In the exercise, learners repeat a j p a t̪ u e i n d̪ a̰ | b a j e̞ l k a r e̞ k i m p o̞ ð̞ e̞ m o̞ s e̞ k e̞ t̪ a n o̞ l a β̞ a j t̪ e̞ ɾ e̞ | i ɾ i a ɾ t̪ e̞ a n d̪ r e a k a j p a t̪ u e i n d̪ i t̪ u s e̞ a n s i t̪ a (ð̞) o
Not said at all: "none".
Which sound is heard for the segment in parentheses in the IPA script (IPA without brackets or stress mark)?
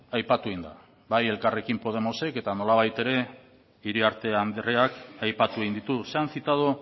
ð̞